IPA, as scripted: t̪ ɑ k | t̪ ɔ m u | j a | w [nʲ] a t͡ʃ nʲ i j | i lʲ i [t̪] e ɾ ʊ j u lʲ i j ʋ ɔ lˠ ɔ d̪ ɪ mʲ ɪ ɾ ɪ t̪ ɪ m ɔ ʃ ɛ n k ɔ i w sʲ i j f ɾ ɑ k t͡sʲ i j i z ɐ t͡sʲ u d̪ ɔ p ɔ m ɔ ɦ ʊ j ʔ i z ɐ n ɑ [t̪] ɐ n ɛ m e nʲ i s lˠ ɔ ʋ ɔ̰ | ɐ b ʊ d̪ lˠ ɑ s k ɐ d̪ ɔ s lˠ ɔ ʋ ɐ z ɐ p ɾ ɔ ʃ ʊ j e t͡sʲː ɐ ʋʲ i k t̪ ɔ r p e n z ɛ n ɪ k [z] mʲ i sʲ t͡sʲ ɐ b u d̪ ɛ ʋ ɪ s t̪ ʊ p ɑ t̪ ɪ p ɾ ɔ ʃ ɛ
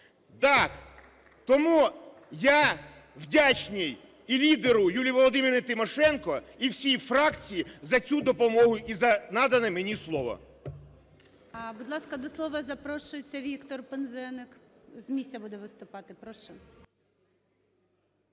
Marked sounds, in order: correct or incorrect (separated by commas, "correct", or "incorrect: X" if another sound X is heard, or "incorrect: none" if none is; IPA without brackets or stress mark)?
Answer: incorrect: dʲ, incorrect: d̪, incorrect: d̪, correct